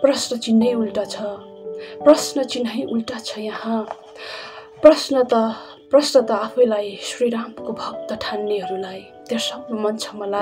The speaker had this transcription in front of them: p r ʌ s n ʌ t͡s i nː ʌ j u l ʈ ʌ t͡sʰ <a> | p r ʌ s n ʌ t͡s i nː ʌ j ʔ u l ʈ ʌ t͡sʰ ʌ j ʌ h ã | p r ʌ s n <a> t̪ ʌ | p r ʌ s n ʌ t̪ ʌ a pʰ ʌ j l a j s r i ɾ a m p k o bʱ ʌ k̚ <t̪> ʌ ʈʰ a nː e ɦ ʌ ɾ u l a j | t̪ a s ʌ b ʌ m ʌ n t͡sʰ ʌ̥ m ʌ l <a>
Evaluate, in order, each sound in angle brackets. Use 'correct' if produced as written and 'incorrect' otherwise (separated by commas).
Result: incorrect, incorrect, correct, correct